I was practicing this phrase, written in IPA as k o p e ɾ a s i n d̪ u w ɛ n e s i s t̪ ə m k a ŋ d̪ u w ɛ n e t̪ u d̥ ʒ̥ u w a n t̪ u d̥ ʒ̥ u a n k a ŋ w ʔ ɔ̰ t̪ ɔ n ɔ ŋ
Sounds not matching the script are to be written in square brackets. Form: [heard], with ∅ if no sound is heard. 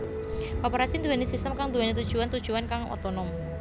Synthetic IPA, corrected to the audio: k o p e ɾ a s i n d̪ u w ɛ n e s i s t̪ ə m k a ŋ d̪ u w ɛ n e t̪ u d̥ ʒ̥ u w a n t̪ u d̥ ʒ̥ u a n k a ŋ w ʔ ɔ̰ t̪ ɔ n ɔ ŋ